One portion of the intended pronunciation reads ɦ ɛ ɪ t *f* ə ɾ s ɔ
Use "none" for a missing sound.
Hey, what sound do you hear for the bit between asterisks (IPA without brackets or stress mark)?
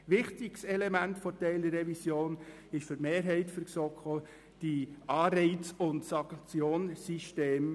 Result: f